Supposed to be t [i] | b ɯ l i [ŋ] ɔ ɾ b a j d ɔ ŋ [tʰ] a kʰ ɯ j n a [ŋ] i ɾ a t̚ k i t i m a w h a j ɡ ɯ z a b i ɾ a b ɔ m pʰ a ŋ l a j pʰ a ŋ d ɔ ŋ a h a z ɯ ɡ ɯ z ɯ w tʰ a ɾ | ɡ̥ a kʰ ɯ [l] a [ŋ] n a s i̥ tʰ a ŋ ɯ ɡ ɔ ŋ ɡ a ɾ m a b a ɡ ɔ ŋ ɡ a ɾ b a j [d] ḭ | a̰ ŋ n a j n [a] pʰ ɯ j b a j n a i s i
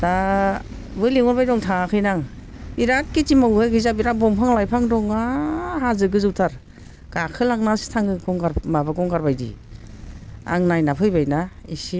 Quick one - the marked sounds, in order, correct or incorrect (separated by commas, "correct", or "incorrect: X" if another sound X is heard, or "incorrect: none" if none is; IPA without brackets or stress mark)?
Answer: incorrect: a, correct, correct, correct, correct, correct, correct, correct